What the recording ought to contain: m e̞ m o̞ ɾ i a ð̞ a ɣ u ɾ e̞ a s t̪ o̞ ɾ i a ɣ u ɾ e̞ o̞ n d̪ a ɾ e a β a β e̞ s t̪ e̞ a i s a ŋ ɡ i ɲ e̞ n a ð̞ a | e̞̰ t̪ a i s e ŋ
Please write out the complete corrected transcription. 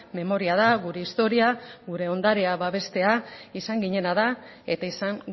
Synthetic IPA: m e̞ m o̞ ɾ i a ð̞ a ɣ u ɾ e̞ i s t̪ o̞ ɾ i a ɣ u ɾ e̞ o̞ n d̪ a ɾ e a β a β e̞ s t̪ e̞ a i s a ŋ ɡ i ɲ e̞ n a ð̞ a | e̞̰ t̪ a i s a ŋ